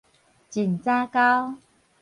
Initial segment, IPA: t͡ɕ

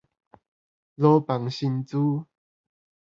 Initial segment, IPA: l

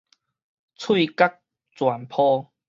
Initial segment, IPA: t͡sʰ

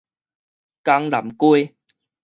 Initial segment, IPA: k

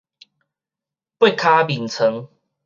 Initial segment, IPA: p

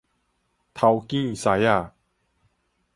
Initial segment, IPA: t̪ʰ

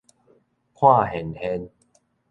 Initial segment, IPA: kʰ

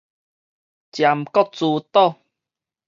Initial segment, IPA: t͡ɕ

